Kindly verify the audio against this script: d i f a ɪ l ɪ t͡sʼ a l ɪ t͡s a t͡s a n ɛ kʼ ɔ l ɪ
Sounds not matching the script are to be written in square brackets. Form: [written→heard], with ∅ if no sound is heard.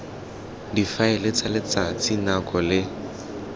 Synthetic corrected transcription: d i f a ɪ l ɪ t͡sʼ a l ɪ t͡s a t͡s [a→i] n [ɛ→a] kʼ ɔ l ɪ